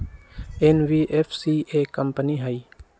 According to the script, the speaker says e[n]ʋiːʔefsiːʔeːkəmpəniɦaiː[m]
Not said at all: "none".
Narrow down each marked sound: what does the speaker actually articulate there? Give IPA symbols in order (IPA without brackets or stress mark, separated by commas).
n, none